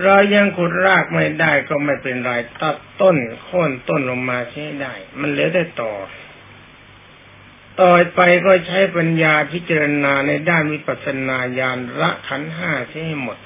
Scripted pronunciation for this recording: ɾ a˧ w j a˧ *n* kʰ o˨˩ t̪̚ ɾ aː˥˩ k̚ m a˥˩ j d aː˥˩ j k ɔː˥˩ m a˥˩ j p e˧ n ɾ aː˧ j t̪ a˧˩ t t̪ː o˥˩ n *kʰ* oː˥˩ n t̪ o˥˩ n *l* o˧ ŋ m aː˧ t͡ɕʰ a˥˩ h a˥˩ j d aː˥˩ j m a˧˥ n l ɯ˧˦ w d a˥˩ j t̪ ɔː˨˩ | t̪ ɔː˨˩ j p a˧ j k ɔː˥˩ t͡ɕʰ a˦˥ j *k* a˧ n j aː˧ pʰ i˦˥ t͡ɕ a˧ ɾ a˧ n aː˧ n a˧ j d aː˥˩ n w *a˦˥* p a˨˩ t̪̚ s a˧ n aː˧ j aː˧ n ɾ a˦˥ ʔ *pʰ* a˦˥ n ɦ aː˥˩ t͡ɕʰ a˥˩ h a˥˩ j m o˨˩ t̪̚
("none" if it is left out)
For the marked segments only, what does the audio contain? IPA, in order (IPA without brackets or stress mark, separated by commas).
ŋ, kʰ, l, p, i˦˥, kʰ